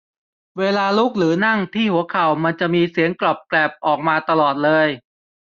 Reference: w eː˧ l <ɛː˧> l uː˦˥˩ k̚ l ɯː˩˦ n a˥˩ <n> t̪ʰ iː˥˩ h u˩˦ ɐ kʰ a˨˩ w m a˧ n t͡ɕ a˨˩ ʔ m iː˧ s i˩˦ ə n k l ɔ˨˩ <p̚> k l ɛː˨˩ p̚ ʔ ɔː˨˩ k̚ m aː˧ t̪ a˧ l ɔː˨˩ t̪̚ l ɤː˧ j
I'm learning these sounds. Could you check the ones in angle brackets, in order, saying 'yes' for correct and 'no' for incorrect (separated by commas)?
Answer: no, no, yes